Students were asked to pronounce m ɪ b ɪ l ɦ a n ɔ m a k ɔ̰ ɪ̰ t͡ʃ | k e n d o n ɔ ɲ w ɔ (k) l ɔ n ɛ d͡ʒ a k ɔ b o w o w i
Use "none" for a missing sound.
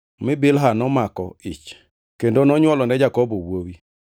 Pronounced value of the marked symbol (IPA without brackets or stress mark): none